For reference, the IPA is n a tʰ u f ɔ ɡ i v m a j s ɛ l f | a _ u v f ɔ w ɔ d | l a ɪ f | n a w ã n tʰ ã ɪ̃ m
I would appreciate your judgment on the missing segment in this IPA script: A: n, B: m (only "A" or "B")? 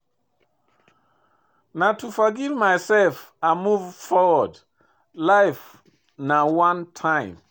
B